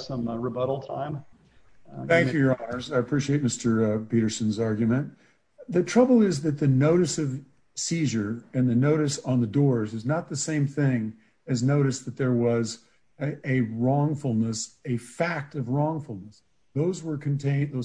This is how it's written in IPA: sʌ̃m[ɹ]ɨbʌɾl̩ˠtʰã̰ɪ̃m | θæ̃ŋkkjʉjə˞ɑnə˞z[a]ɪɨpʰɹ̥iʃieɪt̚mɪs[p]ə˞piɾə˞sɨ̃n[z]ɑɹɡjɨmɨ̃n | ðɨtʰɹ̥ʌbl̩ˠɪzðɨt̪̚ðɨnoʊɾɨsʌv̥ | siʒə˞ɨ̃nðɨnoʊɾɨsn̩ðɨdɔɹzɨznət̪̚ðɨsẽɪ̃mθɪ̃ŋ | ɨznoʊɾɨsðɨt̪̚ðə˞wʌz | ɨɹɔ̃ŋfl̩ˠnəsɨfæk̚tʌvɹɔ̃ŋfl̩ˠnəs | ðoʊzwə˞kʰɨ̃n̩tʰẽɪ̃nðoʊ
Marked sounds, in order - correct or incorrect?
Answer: correct, correct, incorrect: t, correct

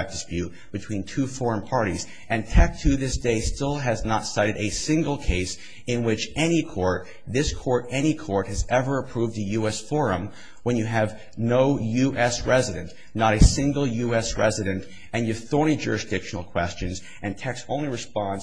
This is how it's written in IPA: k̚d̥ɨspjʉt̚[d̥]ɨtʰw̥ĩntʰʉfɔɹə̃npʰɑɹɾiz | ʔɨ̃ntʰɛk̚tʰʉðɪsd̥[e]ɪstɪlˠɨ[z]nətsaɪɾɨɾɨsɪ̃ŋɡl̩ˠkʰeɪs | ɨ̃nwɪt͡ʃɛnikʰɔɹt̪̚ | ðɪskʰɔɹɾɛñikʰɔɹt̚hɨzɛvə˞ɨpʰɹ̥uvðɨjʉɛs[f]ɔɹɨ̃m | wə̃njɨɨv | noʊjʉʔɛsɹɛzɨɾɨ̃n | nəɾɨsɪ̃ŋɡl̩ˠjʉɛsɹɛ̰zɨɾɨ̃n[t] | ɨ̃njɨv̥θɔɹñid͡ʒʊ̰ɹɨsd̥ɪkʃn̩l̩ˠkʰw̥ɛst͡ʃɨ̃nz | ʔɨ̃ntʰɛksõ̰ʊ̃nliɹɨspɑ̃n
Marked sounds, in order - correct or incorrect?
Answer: incorrect: b̥, correct, correct, correct, correct

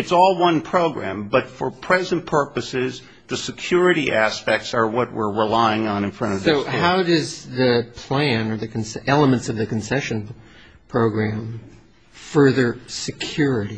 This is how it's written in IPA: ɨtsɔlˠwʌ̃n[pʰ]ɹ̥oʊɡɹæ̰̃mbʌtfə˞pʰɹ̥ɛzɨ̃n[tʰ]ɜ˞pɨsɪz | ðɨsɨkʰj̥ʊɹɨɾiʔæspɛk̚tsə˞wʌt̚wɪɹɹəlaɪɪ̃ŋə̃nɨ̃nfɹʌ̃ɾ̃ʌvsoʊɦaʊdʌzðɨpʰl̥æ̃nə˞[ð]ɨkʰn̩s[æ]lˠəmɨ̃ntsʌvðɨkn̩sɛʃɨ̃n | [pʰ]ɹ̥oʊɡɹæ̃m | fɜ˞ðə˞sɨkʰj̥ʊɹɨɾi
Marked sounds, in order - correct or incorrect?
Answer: correct, incorrect: pʰ, correct, incorrect: ɛ, correct

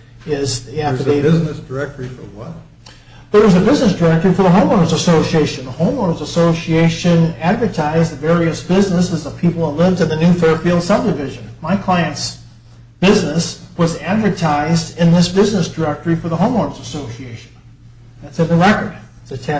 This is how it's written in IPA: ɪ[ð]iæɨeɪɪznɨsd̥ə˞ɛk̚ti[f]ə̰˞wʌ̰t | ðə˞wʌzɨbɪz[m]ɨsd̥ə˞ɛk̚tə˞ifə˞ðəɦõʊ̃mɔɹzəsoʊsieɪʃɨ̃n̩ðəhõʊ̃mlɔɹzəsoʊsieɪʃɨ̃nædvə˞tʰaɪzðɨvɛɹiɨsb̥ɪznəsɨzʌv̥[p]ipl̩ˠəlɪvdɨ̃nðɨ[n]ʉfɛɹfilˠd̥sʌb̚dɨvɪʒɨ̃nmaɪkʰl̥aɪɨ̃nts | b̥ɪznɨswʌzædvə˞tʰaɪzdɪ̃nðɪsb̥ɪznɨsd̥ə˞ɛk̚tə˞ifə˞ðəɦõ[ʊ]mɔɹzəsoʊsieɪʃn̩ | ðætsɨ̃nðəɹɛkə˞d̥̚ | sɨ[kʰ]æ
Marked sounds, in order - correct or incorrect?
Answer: incorrect: z, correct, incorrect: n, incorrect: pʰ, correct, incorrect: ʊ̃, incorrect: tʰ

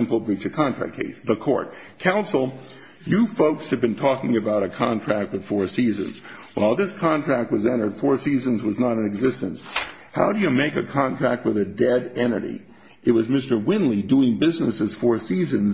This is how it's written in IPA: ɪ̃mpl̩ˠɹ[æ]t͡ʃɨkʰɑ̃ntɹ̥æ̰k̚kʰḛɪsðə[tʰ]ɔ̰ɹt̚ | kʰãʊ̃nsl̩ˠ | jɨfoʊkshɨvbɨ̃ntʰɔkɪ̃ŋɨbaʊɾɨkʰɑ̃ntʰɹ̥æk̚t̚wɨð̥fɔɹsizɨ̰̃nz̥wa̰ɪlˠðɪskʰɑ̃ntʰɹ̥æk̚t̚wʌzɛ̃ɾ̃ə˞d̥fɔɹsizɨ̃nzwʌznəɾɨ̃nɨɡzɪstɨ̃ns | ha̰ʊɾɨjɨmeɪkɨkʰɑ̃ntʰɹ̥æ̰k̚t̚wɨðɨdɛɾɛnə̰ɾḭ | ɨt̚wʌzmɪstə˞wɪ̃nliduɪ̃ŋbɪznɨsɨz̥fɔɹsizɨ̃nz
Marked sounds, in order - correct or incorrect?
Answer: incorrect: i, incorrect: kʰ

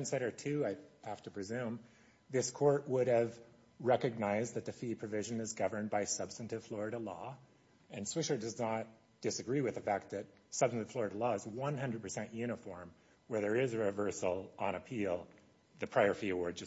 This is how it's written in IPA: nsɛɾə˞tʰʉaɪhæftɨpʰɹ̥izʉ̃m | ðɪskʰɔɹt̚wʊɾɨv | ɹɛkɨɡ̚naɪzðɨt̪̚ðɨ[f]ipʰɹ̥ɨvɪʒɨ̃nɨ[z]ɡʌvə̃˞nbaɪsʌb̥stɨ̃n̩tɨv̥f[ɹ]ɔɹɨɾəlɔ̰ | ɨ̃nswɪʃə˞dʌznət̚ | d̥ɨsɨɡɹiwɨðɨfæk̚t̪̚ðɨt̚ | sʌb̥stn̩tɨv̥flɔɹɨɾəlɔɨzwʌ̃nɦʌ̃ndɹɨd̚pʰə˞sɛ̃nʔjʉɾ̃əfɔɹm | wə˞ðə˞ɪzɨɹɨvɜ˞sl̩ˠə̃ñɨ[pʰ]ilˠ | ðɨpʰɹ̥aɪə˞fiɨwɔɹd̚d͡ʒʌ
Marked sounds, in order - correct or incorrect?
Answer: correct, correct, incorrect: l, correct

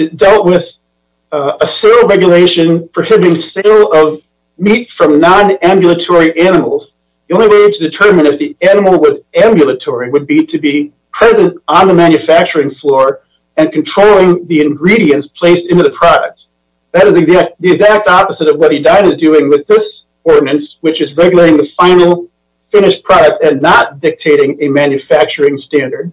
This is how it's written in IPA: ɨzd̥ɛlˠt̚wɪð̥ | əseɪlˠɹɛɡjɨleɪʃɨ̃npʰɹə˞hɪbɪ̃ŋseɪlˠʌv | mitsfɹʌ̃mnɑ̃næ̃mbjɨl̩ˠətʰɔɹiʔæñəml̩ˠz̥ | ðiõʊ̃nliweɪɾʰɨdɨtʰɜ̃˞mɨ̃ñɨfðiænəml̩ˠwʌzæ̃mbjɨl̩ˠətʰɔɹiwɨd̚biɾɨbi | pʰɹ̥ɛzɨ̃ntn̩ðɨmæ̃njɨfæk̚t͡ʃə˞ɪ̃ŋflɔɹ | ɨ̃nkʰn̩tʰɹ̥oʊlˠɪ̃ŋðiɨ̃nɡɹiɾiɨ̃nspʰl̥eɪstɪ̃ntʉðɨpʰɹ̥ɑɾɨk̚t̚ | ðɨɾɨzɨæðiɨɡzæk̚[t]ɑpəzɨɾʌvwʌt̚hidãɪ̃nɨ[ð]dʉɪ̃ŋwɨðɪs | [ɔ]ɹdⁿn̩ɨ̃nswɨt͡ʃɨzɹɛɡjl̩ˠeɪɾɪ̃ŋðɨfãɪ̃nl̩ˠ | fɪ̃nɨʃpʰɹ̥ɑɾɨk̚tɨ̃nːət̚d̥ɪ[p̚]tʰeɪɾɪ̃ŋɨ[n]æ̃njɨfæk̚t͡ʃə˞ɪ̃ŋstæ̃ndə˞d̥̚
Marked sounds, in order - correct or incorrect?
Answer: correct, incorrect: z, correct, incorrect: k̚, incorrect: m

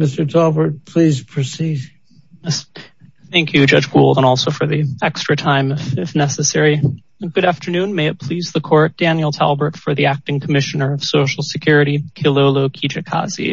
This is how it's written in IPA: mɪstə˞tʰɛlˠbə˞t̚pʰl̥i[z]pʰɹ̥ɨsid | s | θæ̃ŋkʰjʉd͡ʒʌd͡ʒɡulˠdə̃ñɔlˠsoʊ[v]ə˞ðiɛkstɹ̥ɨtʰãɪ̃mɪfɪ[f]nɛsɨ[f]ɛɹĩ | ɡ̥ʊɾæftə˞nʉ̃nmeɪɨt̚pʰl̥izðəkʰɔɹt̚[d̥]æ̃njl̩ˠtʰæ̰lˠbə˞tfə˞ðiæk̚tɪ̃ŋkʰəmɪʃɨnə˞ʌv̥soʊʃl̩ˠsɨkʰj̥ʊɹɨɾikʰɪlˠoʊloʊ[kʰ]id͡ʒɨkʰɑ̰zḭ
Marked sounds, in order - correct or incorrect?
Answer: correct, incorrect: f, correct, incorrect: s, correct, correct

